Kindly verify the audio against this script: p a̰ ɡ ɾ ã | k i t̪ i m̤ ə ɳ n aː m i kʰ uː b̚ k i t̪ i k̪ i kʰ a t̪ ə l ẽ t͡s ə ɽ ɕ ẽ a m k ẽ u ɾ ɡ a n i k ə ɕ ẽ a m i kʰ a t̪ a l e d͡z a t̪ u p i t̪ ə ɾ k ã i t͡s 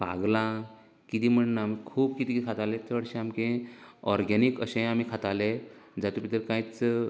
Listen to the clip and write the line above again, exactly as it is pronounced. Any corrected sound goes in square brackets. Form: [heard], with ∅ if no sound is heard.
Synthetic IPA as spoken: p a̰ ɡ [l] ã | k i t̪ i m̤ ə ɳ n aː m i kʰ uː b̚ k i t̪ i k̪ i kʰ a t̪ [a] l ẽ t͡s ə ɽ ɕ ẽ a m k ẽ [ɔ] ɾ ɡ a n i k ə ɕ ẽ a m i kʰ a t̪ a l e d͡z a t̪ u p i t̪ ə ɾ k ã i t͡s